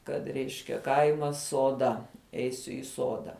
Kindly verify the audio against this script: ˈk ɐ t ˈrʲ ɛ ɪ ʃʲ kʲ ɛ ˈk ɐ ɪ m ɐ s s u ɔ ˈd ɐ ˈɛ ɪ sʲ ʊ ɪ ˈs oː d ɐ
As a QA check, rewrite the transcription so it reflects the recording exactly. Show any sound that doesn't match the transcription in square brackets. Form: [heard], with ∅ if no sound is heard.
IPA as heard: ˈk ɐ t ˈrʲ ɛ ɪ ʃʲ kʲ ɛ ˈk ɐ ɪ m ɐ s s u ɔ ˈd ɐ ˈɛ ɪ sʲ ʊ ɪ ˈs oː d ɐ